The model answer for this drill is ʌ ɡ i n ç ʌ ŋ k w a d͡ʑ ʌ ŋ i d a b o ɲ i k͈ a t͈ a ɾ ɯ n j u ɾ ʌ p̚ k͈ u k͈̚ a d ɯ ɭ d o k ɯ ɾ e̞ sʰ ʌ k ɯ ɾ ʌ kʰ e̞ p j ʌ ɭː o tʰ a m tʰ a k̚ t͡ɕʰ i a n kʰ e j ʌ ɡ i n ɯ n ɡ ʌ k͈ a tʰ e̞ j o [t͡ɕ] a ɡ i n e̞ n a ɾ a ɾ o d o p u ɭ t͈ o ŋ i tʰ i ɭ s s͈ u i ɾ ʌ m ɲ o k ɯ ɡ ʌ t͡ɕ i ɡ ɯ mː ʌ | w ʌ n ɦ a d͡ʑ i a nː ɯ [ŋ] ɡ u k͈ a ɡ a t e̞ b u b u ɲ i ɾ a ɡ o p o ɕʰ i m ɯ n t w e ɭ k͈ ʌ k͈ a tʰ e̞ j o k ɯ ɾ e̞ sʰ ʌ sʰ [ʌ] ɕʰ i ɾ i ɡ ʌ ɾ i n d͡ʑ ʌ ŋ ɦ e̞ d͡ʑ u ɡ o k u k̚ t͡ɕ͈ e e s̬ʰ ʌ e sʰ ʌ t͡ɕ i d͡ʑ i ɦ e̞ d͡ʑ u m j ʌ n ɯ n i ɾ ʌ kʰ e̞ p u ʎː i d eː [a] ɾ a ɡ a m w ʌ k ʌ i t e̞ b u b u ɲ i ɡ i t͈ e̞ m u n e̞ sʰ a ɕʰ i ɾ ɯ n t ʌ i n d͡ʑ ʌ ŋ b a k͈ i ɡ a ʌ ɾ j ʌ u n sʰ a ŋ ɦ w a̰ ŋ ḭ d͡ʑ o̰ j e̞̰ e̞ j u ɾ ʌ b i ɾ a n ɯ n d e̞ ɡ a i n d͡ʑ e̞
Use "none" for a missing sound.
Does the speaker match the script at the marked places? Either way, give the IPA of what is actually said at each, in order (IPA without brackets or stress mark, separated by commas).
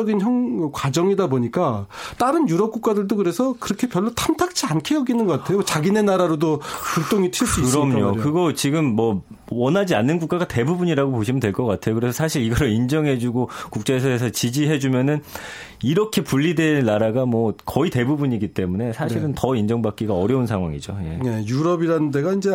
t͡ɕ, n, a, a